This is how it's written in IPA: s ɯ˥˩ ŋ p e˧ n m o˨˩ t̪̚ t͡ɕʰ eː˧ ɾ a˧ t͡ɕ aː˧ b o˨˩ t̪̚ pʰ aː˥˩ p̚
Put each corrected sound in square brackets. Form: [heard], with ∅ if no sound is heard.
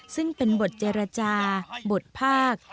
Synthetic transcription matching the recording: s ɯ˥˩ ŋ p e˧ n [b] o˨˩ t̪̚ [t͡ɕ] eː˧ ɾ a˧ t͡ɕ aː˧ b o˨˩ t̪̚ pʰ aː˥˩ [k̚]